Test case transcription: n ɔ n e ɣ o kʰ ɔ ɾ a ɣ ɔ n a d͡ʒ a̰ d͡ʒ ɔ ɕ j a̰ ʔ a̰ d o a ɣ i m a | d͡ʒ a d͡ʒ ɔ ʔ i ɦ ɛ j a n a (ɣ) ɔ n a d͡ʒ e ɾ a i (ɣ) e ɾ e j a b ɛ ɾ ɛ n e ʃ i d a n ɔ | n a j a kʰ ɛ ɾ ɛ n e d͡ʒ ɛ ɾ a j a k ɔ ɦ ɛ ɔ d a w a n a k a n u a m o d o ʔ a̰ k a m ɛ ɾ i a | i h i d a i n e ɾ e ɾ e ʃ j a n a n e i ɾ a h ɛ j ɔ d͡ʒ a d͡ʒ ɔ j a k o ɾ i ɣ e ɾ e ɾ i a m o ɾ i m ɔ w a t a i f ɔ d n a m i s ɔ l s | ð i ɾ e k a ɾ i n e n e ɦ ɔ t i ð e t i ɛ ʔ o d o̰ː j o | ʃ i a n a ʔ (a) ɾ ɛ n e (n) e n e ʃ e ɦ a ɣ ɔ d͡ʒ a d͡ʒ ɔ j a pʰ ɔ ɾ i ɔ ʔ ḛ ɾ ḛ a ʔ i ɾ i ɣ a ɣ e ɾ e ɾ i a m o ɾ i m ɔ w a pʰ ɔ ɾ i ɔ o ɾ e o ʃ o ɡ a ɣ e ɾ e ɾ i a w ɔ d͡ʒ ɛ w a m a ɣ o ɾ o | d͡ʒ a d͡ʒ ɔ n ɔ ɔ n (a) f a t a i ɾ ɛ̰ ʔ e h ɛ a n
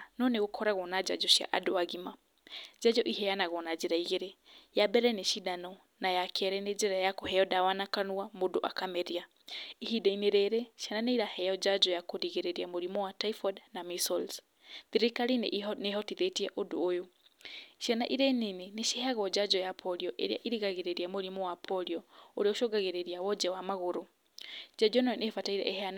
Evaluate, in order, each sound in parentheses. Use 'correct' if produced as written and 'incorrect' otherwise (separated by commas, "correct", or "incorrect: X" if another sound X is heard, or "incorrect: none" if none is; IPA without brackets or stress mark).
correct, correct, incorrect: i, correct, incorrect: e